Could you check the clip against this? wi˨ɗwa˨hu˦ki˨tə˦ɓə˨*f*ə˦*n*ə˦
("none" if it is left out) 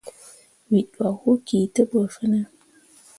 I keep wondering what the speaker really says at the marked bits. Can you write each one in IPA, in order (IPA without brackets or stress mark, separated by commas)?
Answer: f, n